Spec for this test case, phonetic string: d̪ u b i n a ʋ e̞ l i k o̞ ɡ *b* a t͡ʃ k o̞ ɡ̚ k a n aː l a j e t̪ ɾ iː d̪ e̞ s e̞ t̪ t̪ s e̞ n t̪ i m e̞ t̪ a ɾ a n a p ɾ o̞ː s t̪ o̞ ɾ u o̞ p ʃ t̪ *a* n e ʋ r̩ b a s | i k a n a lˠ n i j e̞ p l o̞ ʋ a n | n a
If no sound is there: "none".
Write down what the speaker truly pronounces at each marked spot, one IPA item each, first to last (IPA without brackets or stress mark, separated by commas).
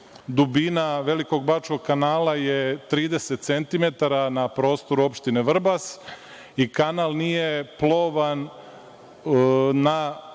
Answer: b, i